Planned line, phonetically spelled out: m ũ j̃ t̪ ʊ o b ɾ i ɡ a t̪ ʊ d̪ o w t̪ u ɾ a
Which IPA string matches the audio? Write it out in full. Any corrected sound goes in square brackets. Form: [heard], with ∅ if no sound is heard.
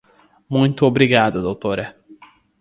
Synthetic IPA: m ũ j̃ t̪ ʊ o b ɾ i ɡ a [d̪] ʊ d̪ o w t̪ [o] ɾ [ɐ]